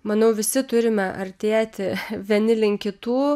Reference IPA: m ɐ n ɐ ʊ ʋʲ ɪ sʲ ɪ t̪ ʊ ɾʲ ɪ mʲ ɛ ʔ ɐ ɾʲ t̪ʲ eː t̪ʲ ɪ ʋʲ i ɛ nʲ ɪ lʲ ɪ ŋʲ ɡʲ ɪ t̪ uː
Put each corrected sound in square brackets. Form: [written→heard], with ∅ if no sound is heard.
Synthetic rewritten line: m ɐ n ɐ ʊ ʋʲ ɪ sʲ ɪ t̪ ʊ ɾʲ ɪ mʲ ɛ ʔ ɐ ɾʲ t̪ʲ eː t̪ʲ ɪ ʋʲ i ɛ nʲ ɪ lʲ ɪ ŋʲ [ɡʲ→kʲ] ɪ t̪ uː